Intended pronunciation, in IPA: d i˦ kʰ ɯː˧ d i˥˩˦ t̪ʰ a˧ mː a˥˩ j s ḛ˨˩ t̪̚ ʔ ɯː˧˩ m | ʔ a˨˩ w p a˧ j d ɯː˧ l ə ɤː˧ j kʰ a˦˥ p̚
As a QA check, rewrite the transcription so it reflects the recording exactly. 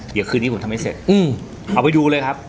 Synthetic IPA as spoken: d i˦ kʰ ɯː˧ n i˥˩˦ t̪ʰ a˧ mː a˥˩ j s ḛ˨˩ t̪̚ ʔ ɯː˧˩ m | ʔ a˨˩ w p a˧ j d uː˧ l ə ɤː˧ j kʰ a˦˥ p̚

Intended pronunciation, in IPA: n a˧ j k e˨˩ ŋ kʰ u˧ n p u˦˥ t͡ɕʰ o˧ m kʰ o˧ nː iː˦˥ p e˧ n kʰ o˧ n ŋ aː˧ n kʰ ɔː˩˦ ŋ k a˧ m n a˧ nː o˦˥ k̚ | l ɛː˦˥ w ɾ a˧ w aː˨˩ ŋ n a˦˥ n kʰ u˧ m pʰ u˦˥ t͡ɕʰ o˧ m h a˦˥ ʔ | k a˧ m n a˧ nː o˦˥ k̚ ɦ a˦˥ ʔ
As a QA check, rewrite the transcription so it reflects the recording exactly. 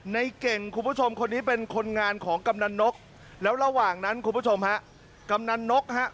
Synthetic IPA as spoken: n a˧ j k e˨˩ ŋ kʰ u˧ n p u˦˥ t͡ɕʰ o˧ m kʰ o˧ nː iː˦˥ p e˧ n kʰ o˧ n ŋ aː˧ n kʰ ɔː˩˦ ŋ k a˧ m n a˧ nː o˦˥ k̚ | l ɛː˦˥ w ɾ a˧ w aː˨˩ ŋ n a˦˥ n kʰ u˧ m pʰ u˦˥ t͡ɕʰ o˧ m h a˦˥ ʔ | k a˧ m n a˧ nː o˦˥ k̚ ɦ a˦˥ ʔ

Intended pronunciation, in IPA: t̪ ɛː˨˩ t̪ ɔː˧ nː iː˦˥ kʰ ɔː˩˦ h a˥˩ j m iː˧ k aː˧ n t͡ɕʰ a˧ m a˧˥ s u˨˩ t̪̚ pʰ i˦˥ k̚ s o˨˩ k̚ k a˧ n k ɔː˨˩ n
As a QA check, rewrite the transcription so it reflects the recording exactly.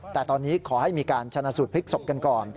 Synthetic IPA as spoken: t̪ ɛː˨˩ t̪ ɔː˧ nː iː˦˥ kʰ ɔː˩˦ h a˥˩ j m iː˧ k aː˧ n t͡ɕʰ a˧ n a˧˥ s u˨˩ t̪̚ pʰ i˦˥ k̚ s o˨˩ p̚ k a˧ n k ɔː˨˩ n

